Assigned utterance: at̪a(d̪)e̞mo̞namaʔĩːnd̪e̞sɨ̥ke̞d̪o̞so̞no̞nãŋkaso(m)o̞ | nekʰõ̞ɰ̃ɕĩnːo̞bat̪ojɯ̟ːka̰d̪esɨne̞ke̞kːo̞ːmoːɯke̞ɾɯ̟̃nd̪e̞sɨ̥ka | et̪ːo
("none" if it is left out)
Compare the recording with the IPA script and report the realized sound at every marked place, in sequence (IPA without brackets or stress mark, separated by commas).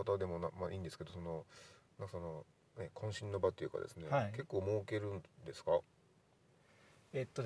d̪, n